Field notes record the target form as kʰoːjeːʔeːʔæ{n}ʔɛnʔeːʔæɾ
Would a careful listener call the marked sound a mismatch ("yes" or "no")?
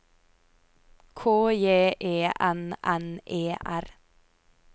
no